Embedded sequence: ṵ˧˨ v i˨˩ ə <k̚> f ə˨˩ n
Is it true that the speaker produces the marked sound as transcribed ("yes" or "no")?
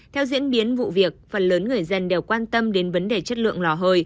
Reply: yes